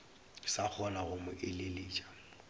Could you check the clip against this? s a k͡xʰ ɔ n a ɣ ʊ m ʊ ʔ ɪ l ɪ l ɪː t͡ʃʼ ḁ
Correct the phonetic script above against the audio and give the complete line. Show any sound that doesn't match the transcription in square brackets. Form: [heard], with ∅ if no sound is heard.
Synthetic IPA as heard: s a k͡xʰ ɔ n a ɣ ʊ m ʊ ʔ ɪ l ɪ l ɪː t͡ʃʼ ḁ